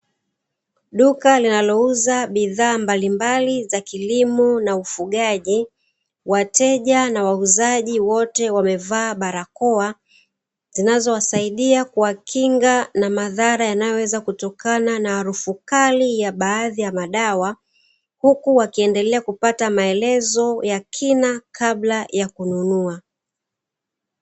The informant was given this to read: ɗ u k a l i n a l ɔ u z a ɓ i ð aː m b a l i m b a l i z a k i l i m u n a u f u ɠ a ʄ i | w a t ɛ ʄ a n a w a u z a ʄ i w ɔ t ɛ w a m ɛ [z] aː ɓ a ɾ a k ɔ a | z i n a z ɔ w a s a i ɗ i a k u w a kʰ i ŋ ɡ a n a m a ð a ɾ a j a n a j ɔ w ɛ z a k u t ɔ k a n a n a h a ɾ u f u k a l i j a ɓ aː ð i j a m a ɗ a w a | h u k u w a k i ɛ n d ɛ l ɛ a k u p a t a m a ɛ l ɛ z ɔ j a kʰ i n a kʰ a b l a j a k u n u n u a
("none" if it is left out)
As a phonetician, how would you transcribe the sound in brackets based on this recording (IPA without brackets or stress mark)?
v